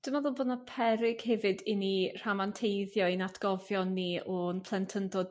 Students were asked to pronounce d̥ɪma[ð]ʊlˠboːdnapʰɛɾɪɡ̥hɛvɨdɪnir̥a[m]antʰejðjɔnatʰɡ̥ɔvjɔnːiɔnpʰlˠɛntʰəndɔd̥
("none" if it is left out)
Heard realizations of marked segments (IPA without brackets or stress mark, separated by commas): ð, m